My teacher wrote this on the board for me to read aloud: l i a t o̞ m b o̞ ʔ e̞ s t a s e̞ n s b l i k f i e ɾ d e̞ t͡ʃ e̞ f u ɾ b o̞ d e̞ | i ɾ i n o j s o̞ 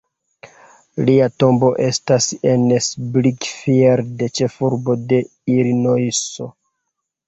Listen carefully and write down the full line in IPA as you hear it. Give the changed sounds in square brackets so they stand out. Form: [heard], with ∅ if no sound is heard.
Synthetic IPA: l i a t o̞ m b o̞ ʔ e̞ s t a s e̞ n s b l i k f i e ɾ d e̞ t͡ʃ e̞ f u ɾ b o̞ d e̞ | i ɾ i n o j s o̞